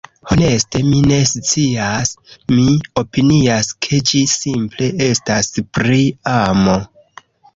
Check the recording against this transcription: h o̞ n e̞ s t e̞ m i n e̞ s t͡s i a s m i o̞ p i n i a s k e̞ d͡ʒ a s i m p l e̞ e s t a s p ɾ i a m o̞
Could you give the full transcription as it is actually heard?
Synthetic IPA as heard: h o̞ n e̞ s t e̞ m i n e̞ s t͡s i a s m i o̞ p i n i a s kʰ e̞ d͡ʒ i s i m p l e̞ e s t a s p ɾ i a m o̞